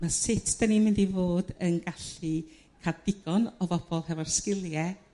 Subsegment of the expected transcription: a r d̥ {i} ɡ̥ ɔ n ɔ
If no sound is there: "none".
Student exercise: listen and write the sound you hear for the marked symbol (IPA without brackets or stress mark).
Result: ɪ